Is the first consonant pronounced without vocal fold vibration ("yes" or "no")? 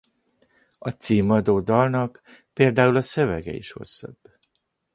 yes